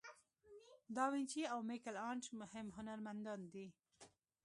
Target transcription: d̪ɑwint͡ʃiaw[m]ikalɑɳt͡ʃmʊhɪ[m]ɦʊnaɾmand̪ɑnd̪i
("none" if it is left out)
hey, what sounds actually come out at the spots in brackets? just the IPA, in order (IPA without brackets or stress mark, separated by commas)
m, m